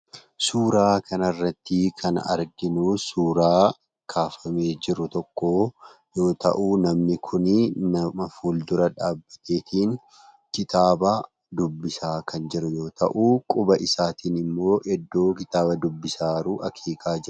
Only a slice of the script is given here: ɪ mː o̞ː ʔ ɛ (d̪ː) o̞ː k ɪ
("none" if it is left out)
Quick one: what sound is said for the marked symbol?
d̪ː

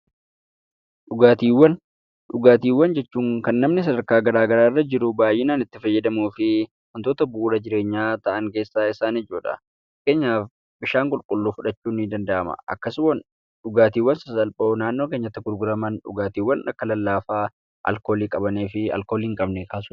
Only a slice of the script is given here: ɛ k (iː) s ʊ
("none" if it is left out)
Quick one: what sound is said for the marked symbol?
aː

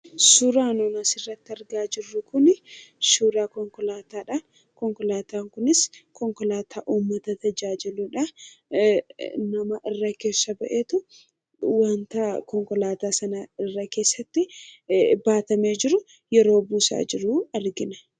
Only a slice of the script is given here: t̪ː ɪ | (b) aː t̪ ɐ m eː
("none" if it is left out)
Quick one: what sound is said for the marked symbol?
b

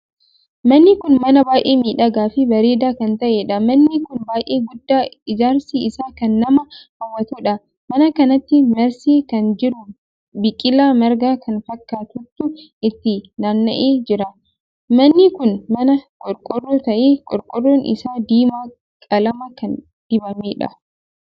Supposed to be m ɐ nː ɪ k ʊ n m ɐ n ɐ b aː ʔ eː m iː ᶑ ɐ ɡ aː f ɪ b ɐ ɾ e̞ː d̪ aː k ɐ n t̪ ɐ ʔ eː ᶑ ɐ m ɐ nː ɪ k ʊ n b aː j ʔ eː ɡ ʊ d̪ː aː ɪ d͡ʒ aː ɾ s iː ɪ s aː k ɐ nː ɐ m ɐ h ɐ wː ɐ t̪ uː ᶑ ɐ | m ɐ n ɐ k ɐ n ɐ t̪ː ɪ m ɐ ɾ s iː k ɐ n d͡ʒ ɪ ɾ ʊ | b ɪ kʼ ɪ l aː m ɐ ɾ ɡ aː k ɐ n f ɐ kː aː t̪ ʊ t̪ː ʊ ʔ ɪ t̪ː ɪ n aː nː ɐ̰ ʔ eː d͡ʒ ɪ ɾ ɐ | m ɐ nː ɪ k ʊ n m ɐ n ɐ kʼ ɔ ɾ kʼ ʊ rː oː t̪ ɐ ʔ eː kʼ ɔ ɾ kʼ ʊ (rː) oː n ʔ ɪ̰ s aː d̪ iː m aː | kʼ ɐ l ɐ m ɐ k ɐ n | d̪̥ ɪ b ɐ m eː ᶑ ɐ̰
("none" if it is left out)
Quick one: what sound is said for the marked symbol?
rː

